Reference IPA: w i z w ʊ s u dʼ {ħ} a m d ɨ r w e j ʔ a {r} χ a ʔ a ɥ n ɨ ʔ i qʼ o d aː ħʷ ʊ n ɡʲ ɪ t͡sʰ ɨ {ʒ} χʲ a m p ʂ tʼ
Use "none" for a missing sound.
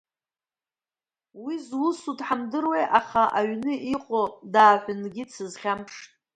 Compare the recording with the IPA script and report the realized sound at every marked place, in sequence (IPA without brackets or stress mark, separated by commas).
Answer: ħ, none, z